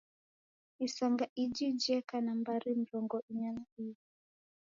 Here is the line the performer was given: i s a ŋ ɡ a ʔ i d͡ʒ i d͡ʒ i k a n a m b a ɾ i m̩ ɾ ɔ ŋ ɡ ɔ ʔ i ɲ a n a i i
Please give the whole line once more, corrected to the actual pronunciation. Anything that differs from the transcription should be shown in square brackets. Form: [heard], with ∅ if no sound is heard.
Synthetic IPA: i s a ŋ ɡ a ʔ i d͡ʒ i d͡ʒ [ɛ] k a n a m b a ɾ i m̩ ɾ ɔ ŋ ɡ ɔ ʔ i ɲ a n a i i